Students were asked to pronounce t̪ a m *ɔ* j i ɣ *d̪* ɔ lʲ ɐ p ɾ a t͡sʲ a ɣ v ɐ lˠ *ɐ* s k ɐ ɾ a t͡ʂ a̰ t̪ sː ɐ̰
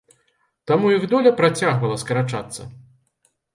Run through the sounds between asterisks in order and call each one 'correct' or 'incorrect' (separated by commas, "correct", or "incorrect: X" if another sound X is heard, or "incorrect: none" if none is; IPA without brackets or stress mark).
incorrect: u, correct, correct